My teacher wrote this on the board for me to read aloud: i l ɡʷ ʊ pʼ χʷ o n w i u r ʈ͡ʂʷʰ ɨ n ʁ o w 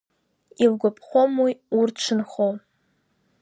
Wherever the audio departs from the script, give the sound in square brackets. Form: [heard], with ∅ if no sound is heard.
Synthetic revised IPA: i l ɡʷ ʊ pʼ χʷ o [m] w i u r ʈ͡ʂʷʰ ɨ n [χ] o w